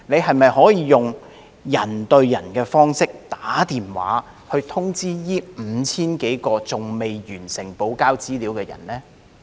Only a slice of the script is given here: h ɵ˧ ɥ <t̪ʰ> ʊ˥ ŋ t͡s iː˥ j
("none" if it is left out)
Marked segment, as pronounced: t̪ʰ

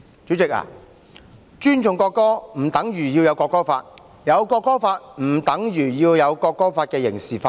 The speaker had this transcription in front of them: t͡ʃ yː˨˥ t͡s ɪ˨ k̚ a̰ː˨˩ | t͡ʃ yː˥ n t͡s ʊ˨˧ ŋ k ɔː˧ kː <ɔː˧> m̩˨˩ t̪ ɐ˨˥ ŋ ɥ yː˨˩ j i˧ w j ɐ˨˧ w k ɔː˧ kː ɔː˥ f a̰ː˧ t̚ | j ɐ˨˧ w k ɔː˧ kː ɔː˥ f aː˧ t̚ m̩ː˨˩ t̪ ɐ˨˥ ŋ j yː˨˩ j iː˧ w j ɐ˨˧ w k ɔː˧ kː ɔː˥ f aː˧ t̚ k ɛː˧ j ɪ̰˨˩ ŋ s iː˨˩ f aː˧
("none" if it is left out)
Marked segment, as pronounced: ɔː˥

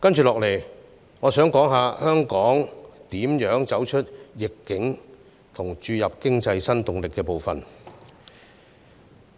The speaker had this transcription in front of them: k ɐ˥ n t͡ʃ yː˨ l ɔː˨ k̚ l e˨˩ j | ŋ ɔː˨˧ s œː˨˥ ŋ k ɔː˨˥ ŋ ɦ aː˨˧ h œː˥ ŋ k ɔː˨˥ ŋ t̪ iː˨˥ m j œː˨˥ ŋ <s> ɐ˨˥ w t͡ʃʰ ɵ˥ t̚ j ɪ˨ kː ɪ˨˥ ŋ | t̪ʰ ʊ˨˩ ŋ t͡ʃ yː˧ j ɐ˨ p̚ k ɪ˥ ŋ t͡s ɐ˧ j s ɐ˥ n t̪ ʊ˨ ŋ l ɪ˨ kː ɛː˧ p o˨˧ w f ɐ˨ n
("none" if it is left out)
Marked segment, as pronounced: t͡s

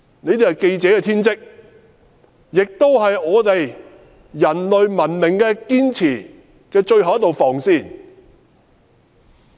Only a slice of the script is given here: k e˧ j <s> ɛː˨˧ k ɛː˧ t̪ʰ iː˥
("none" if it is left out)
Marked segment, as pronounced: t͡s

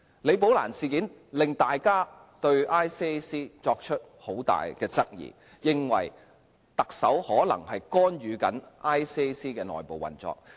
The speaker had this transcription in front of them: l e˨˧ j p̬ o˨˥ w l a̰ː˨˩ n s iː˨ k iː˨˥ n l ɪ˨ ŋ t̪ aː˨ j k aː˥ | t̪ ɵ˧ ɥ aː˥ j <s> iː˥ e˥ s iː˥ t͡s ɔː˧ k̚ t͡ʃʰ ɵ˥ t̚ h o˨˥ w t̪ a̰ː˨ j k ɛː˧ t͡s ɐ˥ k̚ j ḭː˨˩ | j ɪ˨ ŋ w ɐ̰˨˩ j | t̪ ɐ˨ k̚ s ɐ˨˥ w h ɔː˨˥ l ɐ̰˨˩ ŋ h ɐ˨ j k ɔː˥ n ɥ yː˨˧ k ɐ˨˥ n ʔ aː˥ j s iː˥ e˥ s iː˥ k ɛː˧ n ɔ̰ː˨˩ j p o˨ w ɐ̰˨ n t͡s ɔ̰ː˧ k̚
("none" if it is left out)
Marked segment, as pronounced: s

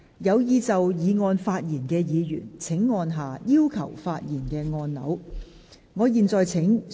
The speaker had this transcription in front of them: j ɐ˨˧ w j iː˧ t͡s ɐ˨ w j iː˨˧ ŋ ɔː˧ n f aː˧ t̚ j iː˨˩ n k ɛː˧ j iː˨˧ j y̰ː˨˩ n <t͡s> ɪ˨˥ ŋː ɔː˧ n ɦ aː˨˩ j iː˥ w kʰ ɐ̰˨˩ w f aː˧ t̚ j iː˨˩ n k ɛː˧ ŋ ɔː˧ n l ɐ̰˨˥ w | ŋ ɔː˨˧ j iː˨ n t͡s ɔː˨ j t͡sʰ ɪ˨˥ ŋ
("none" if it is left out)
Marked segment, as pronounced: t͡sʰ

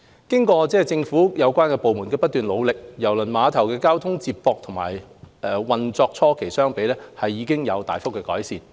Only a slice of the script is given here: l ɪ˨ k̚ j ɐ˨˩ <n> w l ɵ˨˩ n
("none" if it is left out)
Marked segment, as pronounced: none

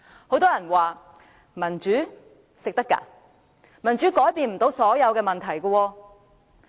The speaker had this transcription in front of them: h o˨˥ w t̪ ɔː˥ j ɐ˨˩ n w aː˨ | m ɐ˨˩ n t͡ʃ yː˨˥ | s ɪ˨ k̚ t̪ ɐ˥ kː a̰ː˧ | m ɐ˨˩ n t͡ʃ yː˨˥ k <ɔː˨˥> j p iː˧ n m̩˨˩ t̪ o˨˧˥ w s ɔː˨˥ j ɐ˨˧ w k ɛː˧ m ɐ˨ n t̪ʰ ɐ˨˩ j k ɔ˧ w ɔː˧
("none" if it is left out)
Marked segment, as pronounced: ɔː˨˥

